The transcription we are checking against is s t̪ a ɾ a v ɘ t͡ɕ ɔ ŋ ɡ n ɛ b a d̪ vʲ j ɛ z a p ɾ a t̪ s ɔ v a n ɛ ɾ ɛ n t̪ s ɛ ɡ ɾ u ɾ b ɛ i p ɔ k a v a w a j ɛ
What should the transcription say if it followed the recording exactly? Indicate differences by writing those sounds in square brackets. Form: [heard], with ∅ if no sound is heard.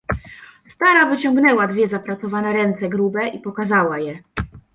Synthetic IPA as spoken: s t̪ a ɾ a v ɘ t͡ɕ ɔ ŋ ɡ n ɛ [w] a d̪ vʲ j ɛ z a p ɾ a t̪ s ɔ v a n ɛ ɾ ɛ n t̪ s ɛ ɡ ɾ u [∅] b ɛ i p ɔ k a [z] a w a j ɛ